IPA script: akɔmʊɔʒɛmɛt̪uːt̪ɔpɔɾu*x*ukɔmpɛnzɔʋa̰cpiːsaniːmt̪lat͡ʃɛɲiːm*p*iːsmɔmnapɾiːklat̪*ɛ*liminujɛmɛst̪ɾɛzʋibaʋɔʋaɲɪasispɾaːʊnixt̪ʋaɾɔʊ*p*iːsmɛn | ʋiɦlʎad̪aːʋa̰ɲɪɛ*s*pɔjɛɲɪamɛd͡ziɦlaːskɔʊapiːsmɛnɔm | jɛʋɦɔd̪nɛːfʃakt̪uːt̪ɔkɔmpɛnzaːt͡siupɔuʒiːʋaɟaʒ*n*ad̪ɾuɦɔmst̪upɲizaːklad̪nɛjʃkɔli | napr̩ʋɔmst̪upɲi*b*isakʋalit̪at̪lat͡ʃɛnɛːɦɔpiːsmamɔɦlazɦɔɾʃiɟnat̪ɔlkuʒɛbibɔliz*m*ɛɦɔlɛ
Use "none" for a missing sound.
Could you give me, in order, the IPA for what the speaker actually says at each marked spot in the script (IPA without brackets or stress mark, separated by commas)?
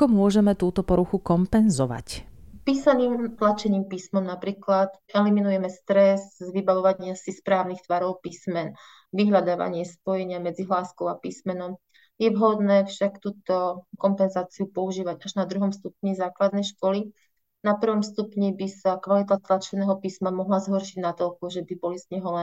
x, p, ɛ, p, s, n, b, ɲ